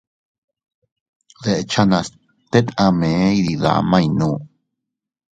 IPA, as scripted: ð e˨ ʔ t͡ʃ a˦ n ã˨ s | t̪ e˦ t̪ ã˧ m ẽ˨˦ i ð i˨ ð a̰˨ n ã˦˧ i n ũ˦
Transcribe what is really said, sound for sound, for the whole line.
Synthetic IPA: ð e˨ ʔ t͡ʃ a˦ n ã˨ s | t̪ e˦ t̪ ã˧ m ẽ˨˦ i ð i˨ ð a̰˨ m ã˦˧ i n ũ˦